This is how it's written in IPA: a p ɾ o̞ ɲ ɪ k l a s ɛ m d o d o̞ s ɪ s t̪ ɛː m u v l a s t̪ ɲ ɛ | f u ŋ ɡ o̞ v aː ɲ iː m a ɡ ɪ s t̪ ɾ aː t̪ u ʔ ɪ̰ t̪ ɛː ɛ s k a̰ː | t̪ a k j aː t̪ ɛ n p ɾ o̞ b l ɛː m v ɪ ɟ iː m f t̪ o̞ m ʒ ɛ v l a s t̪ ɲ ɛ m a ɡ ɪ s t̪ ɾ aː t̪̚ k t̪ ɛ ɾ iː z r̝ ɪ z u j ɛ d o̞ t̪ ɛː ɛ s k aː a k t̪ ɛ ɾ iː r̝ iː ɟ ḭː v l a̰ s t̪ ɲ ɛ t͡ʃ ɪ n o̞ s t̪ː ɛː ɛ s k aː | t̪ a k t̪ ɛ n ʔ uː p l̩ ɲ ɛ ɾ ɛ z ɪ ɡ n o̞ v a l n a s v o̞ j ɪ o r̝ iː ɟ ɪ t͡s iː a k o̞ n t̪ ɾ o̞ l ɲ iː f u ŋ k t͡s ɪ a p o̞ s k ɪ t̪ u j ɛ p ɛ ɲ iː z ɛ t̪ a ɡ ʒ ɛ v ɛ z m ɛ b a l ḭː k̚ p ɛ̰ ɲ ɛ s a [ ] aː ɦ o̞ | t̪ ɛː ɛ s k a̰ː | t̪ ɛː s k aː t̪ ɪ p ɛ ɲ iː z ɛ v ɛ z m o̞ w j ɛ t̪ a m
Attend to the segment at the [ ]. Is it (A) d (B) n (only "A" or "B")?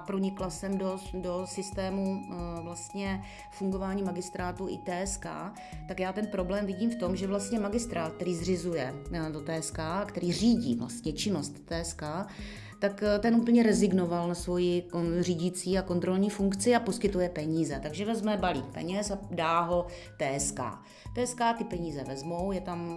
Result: A